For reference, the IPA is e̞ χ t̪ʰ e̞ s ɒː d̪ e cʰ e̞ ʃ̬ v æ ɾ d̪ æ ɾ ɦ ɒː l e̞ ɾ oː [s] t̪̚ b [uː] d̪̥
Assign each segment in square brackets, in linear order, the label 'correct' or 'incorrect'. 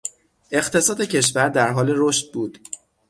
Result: incorrect, correct

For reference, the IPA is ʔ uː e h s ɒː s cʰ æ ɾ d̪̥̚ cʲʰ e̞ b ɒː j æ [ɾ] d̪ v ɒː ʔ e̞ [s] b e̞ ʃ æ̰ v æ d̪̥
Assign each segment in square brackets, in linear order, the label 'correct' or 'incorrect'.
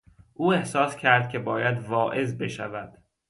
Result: incorrect, incorrect

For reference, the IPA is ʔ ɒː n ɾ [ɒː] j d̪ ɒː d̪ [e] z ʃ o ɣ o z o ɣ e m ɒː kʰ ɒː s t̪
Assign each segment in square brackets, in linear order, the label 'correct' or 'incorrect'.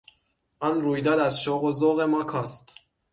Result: incorrect, incorrect

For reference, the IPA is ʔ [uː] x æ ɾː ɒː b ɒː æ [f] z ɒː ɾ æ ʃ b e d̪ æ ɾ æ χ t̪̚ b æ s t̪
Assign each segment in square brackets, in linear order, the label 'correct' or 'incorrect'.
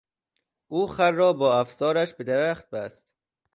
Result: correct, correct

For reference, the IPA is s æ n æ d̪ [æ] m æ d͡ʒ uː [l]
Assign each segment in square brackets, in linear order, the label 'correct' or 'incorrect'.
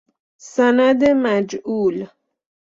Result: incorrect, correct

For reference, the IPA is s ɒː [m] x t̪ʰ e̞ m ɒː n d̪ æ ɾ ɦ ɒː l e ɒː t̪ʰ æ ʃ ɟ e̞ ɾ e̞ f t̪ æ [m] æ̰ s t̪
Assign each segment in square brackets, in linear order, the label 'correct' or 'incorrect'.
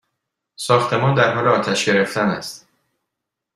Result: incorrect, incorrect

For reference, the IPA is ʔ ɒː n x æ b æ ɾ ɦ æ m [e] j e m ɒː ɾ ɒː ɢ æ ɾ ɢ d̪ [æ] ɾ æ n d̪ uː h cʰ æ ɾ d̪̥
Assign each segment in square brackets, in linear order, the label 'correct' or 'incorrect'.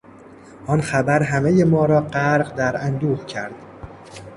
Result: correct, correct

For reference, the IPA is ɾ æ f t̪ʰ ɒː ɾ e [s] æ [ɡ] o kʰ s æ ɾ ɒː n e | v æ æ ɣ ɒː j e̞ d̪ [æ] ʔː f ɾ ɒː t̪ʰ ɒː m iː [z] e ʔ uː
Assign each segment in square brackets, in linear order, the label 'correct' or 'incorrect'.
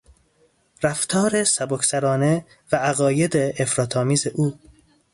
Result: correct, incorrect, incorrect, correct

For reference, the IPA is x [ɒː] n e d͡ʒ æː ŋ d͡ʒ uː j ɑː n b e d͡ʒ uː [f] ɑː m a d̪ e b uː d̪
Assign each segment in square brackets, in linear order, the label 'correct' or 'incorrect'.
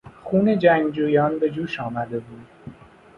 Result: incorrect, incorrect

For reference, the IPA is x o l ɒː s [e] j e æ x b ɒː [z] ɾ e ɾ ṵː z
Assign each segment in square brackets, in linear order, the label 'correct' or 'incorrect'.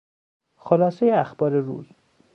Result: correct, incorrect

